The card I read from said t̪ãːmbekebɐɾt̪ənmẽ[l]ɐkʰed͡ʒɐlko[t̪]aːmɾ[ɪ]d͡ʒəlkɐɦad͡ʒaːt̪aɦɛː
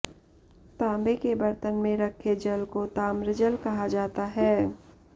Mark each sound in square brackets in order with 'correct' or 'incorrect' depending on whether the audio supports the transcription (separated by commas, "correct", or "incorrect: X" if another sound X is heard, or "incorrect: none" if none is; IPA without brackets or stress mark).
incorrect: ɾ, correct, correct